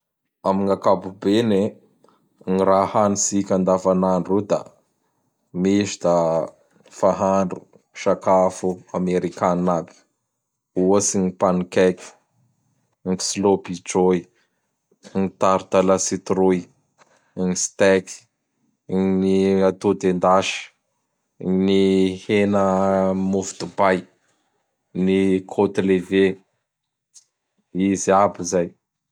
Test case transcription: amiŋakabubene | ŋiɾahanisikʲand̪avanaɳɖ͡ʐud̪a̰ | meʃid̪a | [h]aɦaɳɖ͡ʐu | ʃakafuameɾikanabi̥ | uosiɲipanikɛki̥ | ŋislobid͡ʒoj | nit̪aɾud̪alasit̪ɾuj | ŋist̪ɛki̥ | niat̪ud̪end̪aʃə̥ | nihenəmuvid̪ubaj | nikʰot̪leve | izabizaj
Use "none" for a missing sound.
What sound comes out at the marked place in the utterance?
f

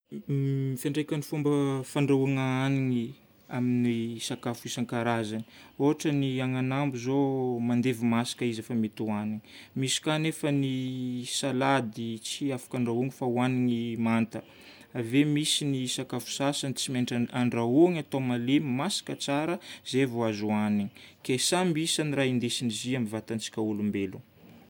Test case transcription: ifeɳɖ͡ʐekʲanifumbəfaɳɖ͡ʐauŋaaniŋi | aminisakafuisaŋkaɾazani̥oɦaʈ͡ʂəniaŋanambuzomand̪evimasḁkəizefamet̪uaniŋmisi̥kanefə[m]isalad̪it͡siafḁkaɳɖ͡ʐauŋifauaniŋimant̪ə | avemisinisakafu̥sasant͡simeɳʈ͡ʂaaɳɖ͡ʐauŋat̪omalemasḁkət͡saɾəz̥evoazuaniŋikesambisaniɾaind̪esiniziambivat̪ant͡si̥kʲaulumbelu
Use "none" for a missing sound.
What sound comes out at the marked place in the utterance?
n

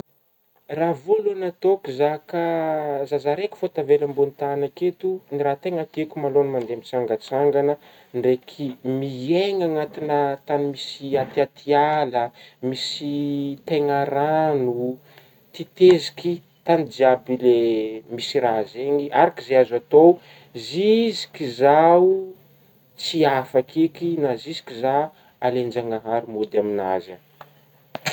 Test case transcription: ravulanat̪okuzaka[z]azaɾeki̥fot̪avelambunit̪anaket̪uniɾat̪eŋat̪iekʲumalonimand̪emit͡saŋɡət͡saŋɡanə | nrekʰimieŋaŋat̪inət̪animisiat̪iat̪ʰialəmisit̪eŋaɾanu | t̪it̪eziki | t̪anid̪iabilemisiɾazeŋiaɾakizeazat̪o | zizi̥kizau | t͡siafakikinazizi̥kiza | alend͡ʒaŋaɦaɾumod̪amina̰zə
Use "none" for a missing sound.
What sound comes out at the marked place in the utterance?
z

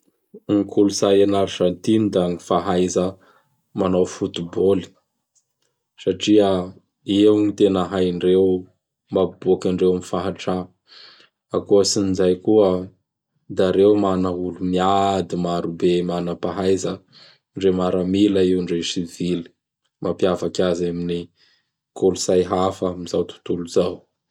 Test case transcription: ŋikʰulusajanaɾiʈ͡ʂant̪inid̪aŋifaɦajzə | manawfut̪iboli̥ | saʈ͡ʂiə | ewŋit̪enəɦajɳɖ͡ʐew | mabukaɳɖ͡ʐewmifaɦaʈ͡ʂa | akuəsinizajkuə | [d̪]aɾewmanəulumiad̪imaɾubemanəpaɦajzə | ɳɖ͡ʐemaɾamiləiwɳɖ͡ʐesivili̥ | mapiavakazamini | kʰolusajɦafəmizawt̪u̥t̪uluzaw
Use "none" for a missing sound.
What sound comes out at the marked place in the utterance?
d̪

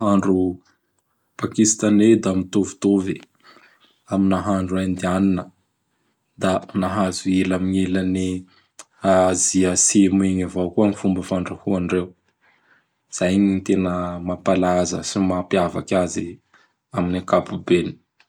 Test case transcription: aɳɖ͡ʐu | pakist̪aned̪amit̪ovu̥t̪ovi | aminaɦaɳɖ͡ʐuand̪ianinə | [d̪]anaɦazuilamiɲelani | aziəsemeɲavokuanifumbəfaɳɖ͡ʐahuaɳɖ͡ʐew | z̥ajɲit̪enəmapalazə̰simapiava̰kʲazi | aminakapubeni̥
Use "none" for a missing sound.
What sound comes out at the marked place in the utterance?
d̪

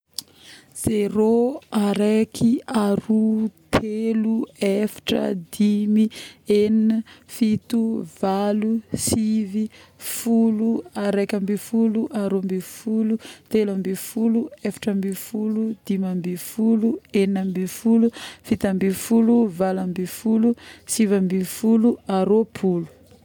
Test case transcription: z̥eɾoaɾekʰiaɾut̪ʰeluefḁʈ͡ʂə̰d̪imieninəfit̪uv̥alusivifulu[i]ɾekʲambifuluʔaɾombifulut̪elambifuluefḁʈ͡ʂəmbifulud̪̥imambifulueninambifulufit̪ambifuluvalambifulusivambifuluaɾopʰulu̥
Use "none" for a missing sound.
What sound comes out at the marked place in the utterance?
a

